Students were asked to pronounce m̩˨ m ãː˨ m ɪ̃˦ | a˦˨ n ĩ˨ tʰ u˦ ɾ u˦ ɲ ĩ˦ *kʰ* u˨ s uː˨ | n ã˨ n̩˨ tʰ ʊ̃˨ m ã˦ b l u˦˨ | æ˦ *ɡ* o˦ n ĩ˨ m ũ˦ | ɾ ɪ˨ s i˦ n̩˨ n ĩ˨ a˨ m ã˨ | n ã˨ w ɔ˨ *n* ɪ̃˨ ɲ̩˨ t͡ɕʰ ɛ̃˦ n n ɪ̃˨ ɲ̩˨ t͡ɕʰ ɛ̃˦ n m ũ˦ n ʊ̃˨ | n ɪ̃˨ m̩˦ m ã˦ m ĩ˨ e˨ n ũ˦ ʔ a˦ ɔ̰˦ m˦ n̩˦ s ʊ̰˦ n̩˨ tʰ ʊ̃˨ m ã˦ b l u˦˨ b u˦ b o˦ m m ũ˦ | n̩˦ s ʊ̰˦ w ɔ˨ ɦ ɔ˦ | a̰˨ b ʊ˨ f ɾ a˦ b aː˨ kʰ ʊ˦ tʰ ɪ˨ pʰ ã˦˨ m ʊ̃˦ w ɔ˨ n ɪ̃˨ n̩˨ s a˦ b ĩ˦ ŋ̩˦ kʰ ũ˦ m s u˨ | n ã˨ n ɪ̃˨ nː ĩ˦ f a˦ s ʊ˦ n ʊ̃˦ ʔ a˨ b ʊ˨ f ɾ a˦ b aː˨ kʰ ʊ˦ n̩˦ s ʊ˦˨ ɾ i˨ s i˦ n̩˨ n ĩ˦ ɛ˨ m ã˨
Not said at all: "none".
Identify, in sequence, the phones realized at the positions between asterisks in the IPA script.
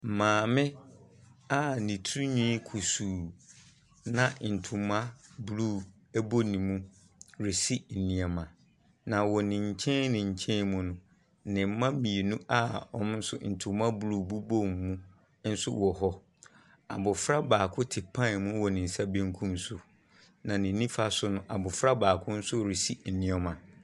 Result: kʰ, b, n

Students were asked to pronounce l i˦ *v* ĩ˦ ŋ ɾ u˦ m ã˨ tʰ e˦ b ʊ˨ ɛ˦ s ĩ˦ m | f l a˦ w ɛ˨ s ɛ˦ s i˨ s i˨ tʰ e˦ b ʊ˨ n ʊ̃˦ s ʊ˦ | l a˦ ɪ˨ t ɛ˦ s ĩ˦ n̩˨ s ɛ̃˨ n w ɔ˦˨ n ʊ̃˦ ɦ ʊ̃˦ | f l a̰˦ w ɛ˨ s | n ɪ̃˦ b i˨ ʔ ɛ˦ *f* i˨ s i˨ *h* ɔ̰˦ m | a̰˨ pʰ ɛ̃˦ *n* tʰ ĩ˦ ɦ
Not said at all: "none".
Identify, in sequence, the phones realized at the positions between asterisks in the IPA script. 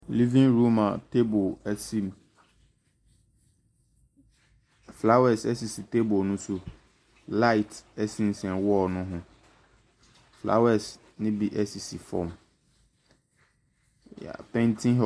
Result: v, s, f, n

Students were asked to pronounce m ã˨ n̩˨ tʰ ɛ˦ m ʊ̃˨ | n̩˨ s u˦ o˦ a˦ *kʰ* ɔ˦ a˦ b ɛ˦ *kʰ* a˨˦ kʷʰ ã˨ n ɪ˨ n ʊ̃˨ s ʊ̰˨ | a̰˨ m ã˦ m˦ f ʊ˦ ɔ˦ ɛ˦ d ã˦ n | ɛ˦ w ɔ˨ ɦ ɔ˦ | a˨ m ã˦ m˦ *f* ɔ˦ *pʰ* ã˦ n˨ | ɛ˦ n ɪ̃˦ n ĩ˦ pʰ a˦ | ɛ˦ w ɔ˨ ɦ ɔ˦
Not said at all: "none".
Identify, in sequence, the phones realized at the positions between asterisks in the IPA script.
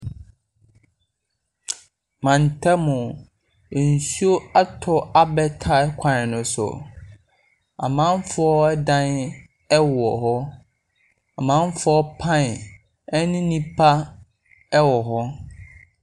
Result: tʰ, tʰ, f, pʰ

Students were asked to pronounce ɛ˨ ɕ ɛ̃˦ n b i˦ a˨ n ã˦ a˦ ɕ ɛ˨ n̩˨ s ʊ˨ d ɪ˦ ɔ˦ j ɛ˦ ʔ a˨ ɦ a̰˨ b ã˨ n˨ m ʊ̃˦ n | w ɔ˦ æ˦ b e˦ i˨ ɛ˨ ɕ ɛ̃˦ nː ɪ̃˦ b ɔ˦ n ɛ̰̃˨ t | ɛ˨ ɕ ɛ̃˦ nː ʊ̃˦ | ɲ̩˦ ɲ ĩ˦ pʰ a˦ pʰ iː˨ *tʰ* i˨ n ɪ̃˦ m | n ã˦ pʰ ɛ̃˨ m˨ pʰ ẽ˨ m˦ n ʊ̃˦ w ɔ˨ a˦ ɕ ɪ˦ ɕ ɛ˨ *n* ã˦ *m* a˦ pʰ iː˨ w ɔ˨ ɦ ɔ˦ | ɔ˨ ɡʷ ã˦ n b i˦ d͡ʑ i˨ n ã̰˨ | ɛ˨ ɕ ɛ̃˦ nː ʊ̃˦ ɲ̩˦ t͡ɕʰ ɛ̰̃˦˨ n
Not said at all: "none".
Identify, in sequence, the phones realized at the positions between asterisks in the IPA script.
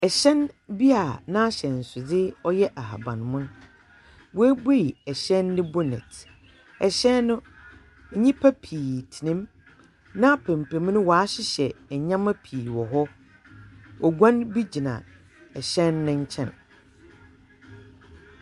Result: tʰ, ɲ, m

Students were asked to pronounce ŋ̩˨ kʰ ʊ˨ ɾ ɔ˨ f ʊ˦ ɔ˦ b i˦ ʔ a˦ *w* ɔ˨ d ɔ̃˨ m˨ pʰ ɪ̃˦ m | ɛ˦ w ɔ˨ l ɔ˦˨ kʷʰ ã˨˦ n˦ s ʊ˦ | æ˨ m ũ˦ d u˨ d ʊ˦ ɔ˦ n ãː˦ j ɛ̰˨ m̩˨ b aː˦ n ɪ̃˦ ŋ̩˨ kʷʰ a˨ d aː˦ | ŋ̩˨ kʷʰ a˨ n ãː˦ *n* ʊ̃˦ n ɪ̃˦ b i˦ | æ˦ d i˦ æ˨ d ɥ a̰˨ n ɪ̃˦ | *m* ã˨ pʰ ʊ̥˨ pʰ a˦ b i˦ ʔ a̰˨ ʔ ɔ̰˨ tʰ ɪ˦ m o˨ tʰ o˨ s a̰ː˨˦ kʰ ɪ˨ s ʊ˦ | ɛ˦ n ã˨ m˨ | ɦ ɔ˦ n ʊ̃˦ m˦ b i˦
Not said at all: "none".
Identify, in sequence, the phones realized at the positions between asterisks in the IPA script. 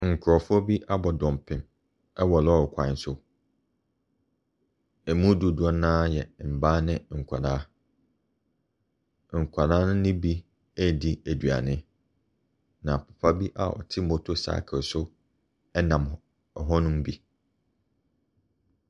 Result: b, n, n

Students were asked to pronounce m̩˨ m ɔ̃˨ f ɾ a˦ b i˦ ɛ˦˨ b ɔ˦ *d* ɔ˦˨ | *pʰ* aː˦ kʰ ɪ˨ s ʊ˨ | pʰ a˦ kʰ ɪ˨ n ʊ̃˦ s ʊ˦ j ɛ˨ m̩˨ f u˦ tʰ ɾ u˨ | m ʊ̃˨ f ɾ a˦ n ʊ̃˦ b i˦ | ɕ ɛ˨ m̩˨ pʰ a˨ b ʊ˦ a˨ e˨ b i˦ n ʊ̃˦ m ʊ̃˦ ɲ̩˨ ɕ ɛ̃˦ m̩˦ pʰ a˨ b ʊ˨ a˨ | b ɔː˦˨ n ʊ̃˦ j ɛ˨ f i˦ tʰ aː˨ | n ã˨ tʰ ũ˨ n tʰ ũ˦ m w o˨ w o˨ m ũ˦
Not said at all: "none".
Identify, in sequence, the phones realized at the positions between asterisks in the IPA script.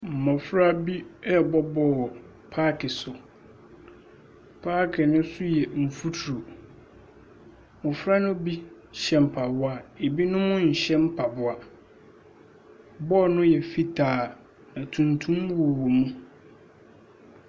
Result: b, pʰ

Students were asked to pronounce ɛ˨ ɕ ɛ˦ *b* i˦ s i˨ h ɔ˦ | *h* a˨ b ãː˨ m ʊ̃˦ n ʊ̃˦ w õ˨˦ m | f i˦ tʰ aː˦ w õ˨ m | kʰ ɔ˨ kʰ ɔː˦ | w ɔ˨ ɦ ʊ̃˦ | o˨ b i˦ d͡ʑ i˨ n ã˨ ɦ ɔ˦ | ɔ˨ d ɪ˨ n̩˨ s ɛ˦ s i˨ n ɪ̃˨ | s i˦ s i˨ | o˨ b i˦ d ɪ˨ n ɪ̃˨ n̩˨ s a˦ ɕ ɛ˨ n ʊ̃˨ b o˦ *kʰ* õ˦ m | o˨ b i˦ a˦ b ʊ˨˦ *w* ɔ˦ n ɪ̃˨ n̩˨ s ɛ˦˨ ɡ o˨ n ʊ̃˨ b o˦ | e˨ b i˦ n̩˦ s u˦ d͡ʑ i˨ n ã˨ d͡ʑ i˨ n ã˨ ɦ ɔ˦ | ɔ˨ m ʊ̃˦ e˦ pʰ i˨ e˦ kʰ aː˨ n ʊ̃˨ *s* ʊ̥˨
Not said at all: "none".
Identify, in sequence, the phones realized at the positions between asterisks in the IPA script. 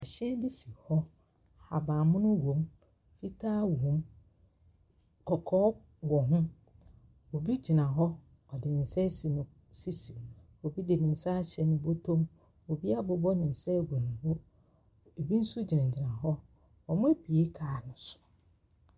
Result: b, h, tʰ, b, s

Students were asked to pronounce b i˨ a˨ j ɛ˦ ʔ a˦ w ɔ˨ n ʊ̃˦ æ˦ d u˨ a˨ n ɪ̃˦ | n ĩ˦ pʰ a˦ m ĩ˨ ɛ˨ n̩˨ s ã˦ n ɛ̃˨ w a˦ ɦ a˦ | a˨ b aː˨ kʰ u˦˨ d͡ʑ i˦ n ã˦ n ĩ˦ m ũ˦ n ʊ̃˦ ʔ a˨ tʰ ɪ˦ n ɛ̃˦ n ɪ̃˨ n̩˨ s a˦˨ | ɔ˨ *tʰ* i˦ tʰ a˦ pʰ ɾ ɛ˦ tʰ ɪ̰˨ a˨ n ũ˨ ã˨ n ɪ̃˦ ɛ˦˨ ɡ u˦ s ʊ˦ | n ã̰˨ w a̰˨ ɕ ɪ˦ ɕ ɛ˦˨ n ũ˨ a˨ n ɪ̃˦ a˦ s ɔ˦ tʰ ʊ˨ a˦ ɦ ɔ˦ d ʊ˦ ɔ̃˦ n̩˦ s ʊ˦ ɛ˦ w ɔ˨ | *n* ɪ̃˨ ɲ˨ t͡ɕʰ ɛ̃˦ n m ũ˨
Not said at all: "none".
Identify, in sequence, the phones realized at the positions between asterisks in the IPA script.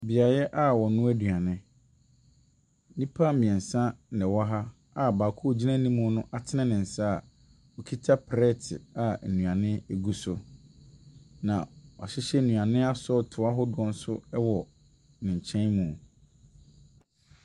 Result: kʰ, n

